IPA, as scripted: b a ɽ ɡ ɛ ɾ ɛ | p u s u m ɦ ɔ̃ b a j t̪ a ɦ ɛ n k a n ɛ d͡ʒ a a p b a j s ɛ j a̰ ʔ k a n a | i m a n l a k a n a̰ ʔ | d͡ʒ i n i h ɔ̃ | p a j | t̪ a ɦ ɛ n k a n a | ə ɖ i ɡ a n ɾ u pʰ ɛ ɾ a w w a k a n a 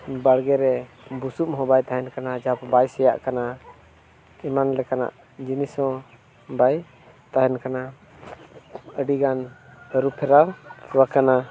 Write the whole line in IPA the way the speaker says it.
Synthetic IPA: b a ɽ ɡ ɛ ɾ ɛ | b u s u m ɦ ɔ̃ b a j t̪ a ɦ ɛ n k a n a d͡ʒ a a p b a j s ɛ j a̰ ʔ k a n a | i m a n l ɛ k a n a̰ ʔ | d͡ʒ i n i s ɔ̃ | b a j | t̪ a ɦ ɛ n k a n a | ə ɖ i ɡ a n ɾ u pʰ ɛ ɾ a w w a k a n a

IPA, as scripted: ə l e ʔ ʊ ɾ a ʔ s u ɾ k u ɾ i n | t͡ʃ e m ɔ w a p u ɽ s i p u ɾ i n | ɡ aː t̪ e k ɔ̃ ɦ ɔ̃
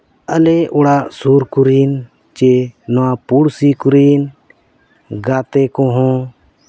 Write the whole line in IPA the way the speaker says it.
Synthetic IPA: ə l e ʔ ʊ ɽ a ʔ s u ɾ k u ɾ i n | t͡ʃ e n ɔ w a p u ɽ s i k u ɾ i n | ɡ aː t̪ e k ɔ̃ ɦ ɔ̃

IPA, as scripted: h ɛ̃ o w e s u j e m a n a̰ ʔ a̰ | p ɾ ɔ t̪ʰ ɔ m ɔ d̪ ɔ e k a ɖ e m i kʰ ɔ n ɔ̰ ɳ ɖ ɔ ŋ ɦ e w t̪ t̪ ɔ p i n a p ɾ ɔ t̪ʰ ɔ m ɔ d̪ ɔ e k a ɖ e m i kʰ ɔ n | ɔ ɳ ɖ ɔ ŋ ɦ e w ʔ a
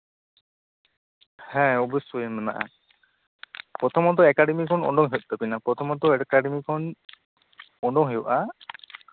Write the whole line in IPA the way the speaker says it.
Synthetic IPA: h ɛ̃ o b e s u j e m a n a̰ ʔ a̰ | p ɾ ɔ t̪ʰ ɔ m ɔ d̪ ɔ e k a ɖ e m i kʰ ɔ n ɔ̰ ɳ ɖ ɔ ŋ ɦ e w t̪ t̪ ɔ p i n a p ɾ ɔ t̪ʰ ɔ m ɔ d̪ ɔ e k a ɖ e m i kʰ ɔ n | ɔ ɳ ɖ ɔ ŋ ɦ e w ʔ a

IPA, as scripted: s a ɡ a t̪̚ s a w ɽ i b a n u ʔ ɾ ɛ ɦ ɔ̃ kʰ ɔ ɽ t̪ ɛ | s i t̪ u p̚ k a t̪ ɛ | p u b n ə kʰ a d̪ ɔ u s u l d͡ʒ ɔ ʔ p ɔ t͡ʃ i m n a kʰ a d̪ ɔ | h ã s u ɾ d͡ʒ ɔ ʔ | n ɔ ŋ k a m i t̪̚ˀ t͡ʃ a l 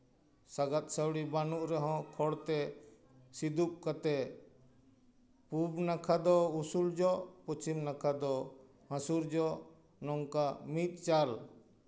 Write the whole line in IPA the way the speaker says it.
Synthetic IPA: s a ɡ a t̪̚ s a w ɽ i b a n u ʔ ɾ ɛ ɦ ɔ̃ kʰ ɔ ɽ t̪ ɛ | s i d̪ u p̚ k a t̪ ɛ | p u b n a kʰ a d̪ ɔ u s u l d͡ʒ ɔ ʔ p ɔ t͡ʃ i m n a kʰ a d̪ ɔ | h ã s u ɾ d͡ʒ ɔ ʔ | n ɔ ŋ k a m i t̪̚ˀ t͡ʃ a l

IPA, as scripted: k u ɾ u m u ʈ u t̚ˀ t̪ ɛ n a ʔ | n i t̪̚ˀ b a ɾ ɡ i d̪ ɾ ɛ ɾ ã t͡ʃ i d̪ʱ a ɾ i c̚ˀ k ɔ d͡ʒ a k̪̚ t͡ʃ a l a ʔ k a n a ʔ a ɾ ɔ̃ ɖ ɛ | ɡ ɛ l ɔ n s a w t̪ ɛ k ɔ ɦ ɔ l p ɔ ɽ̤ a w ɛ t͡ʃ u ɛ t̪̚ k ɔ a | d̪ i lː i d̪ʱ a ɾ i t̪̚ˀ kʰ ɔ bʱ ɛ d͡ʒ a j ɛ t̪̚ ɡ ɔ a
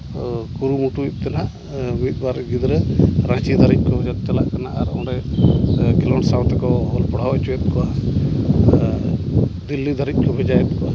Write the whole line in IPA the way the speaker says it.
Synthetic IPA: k u ɾ u m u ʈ u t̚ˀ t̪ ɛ n a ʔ | m i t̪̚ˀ b a ɾ ɡ i d̪ ɾ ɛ ɾ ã t͡ʃ i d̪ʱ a ɾ i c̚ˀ k ɔ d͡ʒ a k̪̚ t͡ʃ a l a ʔ k a n a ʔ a ɾ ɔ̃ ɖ ɛ | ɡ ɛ l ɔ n s a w t̪ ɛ k ɔ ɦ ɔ l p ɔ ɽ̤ a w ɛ t͡ʃ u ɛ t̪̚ k ɔ a | d̪ i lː i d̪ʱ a ɾ i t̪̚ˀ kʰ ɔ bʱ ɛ d͡ʒ a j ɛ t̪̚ k ɔ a

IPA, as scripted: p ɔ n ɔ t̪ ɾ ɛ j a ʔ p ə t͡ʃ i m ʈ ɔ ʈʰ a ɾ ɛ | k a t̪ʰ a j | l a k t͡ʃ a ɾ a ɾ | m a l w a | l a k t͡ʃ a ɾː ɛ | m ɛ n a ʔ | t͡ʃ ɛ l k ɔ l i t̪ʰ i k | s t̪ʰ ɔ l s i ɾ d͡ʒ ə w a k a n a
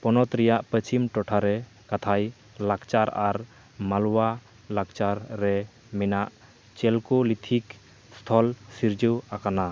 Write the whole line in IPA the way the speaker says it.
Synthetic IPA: p ɔ n ɔ t̪ ɾ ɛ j a ʔ p ə t͡ʃ i m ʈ ɔ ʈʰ a ɾ ɛ | k a t̪ʰ a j | l a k t͡ʃ a ɾ a ɾ | m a l w a | l a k t͡ʃ a ɾː ɛ | m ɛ n a ʔ | t͡ʃ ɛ l k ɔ l i t̪ʰ i k | s t̪ʰ ɔ l s i ɾ d͡ʒ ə w a k a n a

